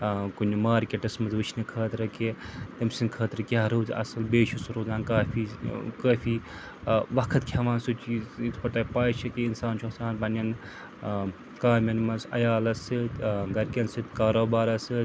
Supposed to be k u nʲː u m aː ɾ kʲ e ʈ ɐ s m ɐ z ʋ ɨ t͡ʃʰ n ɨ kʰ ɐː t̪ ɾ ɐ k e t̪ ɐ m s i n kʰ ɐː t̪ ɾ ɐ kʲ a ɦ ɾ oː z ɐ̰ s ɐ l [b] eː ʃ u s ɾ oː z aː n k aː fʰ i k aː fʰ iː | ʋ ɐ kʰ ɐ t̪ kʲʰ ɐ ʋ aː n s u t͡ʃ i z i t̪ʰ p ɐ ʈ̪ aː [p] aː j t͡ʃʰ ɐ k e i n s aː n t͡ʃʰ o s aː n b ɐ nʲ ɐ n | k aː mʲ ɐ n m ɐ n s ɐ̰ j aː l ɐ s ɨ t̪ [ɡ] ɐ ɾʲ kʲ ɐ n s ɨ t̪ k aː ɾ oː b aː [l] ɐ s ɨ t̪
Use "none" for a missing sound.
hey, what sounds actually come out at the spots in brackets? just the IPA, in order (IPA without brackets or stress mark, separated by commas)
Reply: b, p, ɡ, ɾ